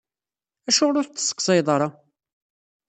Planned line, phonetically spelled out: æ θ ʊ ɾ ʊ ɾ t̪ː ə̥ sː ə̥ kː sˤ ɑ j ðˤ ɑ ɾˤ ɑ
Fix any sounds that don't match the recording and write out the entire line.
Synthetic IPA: æ ʃ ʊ ɾ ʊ ɾ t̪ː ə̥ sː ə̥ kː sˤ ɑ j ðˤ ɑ ɾˤ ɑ